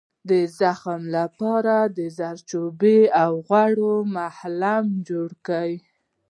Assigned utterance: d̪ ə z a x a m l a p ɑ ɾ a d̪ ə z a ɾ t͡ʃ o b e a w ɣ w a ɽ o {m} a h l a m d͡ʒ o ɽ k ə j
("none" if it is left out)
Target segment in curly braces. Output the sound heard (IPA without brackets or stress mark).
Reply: m